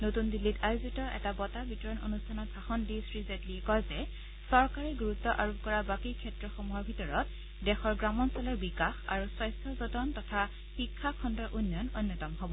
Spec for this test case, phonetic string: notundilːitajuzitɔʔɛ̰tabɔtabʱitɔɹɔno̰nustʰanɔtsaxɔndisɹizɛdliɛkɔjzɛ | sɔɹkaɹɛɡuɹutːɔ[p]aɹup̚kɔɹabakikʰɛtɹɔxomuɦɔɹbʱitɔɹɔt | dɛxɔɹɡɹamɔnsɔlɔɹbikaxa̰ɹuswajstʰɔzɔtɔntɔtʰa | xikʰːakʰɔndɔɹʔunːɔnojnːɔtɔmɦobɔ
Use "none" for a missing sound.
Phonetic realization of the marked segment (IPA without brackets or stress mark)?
ʔ